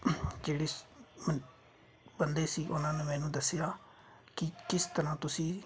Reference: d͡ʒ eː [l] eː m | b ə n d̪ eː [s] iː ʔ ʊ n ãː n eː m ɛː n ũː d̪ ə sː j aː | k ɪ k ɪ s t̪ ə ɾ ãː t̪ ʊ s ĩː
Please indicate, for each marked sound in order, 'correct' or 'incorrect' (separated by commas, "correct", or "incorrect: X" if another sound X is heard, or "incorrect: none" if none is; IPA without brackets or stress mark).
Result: incorrect: ɽ, correct